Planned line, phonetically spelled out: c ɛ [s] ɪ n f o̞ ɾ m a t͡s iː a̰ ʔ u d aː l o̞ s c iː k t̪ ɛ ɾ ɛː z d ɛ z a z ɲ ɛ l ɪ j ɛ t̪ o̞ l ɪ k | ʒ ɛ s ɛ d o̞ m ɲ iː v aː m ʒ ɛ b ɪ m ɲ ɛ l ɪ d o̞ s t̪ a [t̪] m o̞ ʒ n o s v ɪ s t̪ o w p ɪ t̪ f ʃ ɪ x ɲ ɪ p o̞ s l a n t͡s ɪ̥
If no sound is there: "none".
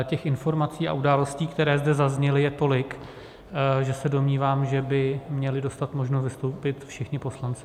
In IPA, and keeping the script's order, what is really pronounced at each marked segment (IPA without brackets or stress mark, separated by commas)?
x, t̪